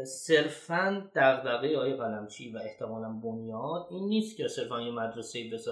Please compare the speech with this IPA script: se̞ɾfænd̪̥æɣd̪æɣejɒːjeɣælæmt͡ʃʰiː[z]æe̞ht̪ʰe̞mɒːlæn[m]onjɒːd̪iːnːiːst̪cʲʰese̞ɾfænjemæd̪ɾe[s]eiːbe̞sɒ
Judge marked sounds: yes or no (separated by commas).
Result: no, no, yes